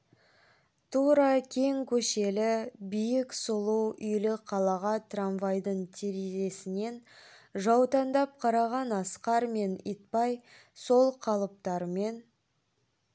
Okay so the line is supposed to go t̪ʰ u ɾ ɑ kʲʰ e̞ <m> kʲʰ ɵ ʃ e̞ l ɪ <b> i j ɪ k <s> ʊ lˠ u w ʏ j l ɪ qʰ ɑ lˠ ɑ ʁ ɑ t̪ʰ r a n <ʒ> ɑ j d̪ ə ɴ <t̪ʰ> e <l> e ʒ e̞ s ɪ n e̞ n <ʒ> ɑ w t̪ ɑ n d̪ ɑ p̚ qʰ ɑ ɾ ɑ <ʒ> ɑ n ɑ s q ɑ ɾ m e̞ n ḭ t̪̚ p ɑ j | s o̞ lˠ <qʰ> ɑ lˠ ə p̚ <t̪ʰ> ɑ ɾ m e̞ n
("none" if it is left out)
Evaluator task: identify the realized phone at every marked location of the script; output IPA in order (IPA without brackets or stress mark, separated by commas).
ŋ, b, s, v, t̪ʰ, ɾ, ʒ, ʁ, qʰ, t̪